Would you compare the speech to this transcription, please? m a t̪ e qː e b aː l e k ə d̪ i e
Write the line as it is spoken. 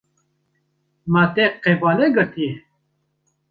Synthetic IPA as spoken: m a t̪ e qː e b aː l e ɡ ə t̪ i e